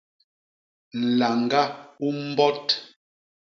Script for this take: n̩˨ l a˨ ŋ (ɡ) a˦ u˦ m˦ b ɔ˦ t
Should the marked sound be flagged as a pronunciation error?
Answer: no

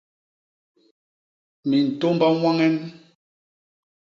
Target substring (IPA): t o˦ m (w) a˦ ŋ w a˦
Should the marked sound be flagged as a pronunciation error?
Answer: yes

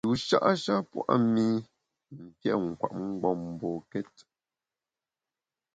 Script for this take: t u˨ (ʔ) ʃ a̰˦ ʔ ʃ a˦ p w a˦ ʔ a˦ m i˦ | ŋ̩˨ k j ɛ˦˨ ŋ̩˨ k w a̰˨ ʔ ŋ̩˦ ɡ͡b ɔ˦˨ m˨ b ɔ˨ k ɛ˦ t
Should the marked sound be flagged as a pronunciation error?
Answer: yes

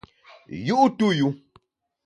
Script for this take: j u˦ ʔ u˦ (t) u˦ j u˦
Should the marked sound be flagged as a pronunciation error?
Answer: no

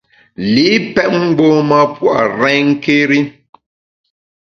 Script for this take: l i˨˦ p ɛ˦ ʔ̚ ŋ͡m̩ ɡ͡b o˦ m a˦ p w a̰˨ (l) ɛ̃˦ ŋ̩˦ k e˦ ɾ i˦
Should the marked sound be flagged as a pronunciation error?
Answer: yes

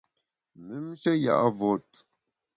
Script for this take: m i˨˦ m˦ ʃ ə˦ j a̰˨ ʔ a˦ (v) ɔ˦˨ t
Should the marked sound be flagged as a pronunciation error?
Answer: no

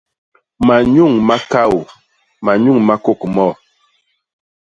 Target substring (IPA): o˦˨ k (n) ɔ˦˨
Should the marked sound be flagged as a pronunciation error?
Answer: yes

